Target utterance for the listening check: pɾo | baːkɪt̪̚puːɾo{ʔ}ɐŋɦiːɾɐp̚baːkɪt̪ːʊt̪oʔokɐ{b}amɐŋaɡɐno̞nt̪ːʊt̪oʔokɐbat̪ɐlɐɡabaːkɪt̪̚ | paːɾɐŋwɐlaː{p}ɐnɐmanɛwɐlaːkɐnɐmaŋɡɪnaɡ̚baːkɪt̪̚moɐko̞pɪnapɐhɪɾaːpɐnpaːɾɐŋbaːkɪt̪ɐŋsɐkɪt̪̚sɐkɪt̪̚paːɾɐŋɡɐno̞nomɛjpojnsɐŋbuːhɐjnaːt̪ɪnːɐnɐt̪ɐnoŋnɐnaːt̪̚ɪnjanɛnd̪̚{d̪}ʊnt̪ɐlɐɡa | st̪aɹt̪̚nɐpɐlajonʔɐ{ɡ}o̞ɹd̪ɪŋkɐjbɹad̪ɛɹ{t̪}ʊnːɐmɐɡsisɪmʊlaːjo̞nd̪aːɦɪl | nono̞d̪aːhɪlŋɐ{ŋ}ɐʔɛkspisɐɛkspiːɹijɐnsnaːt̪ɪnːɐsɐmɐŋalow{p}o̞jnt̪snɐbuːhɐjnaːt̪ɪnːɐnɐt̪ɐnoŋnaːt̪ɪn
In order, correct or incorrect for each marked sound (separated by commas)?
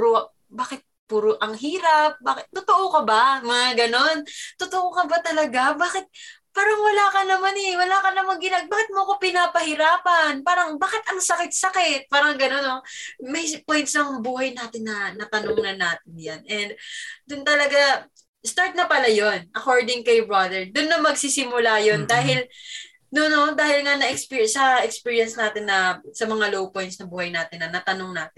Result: correct, correct, incorrect, correct, incorrect, incorrect, incorrect, correct